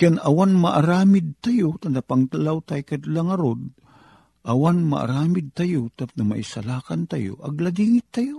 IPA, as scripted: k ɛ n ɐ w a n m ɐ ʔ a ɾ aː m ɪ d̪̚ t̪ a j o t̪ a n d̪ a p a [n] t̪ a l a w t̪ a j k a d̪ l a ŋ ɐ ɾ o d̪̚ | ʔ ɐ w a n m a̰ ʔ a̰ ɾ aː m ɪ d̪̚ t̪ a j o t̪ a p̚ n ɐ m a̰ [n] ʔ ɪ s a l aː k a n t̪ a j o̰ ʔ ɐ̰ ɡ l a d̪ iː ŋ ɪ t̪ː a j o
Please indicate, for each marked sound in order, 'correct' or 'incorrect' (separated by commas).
incorrect, incorrect